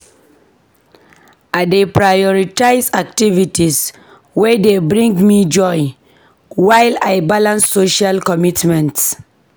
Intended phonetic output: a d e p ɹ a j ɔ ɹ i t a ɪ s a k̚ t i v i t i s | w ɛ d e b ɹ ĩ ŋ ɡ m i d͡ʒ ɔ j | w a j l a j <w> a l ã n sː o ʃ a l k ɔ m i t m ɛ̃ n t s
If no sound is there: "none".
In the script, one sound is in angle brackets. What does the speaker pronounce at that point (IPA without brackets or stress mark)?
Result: b